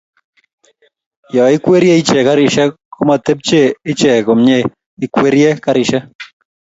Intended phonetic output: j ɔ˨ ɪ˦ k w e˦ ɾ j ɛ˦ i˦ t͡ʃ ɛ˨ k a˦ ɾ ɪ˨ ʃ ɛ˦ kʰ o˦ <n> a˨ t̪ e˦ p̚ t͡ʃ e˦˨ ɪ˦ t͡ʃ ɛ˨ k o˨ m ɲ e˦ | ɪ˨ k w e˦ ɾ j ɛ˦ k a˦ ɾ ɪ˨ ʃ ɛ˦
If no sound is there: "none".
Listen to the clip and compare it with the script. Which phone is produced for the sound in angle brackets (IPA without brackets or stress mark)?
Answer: m